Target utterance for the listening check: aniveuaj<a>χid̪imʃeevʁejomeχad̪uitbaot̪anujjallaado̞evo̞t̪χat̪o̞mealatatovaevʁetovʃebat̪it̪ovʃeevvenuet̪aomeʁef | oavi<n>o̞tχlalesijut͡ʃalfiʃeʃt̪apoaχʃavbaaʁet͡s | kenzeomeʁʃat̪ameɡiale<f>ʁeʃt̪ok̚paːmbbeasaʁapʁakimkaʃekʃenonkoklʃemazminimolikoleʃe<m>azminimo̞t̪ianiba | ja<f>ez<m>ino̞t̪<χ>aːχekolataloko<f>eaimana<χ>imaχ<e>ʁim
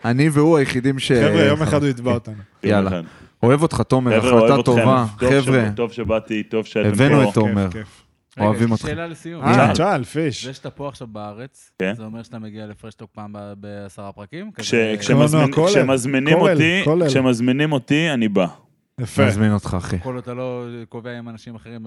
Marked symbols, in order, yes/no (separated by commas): no, no, yes, yes, yes, yes, yes, no, no, yes